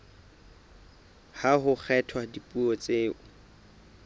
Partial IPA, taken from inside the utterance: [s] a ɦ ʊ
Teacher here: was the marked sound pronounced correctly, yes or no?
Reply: no